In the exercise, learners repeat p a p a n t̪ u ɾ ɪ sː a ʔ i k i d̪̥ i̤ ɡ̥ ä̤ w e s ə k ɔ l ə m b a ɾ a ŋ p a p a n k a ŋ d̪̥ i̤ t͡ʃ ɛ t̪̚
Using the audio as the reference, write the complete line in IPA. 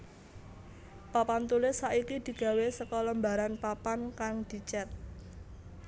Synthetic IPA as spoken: p a p a n t̪ u l ɪ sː a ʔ i k i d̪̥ i̤ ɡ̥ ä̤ w e s ə k ɔ l ə m b a ɾ a n p a p a n k a ŋ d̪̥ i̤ t͡ʃ ɛ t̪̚